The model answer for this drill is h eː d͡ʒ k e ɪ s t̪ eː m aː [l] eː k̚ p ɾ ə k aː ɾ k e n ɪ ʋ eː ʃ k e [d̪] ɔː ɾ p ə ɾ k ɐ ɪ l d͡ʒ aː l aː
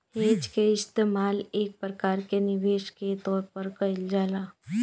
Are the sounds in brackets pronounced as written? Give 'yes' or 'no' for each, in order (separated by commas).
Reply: yes, no